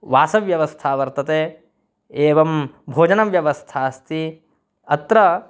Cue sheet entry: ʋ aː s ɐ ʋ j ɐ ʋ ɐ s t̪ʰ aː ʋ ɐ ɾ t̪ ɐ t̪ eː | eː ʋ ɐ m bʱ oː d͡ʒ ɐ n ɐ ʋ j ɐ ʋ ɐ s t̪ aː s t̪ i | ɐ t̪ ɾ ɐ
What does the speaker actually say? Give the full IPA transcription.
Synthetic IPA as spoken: ʋ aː s ɐ ʋ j ɐ ʋ ɐ s t̪ʰ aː ʋ ɐ ɾ t̪ ɐ t̪ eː | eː ʋ ɐ m bʱ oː d͡ʒ ɐ n ɐ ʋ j ɐ ʋ ɐ s t̪ʰ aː s t̪ i | ɐ t̪ ɾ ɐ